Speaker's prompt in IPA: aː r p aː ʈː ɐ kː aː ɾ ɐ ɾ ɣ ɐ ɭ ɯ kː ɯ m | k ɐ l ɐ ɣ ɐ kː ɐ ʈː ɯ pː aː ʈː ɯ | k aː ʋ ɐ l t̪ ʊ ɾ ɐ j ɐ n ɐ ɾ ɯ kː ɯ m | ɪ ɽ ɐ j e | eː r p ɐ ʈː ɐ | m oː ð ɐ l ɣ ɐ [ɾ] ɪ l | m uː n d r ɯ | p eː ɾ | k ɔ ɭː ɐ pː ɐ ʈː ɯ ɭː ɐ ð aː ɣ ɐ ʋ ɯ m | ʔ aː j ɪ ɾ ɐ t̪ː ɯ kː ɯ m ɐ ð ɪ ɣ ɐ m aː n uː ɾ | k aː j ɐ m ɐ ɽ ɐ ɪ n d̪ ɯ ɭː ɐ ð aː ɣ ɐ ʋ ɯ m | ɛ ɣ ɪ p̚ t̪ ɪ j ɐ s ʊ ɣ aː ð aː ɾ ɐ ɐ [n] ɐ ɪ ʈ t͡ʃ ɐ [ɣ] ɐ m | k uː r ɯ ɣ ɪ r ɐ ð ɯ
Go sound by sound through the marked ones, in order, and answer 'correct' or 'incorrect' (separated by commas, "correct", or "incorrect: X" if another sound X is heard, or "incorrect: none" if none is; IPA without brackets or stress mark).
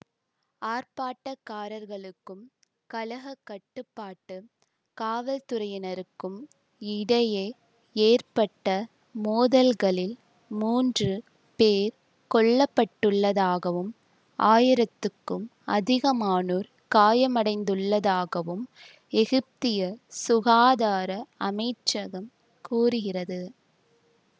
incorrect: ɭ, incorrect: m, correct